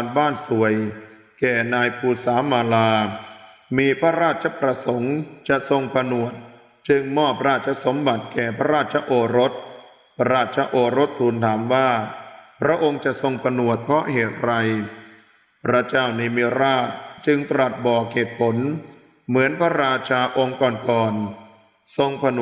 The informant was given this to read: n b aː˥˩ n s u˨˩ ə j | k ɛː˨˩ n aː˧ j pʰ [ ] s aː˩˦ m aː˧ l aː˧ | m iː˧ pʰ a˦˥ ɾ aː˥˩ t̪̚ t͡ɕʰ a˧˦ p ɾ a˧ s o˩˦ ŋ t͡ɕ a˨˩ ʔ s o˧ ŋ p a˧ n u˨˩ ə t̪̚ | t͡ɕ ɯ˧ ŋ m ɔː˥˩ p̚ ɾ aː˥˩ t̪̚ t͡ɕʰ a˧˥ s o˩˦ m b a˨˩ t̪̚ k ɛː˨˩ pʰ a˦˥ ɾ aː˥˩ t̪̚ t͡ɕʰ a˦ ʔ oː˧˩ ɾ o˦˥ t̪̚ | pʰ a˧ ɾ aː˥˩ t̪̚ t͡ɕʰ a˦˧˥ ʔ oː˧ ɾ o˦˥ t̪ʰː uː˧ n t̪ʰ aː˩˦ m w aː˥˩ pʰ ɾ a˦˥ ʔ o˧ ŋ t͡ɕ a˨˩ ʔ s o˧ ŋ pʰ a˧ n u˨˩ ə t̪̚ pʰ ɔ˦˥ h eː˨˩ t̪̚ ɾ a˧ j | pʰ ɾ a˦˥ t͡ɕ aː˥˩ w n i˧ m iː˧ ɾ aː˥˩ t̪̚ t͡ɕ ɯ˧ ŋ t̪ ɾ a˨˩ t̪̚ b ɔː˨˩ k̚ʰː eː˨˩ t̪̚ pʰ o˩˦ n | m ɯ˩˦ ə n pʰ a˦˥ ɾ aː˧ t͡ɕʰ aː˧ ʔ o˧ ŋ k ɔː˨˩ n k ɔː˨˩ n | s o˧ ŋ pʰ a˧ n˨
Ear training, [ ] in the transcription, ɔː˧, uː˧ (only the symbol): uː˧